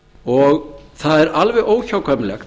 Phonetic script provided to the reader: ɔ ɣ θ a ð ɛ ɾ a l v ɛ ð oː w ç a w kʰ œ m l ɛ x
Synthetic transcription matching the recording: ɔ ɣ θ a ð ɛ ɾ a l v ɛ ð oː w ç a w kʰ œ m l ɛ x